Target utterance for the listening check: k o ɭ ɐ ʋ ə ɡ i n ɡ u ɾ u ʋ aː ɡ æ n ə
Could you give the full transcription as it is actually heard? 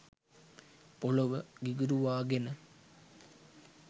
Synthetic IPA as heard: p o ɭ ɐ ʋ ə ɡ i ɡ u ɾ u ʋ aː ɡ e n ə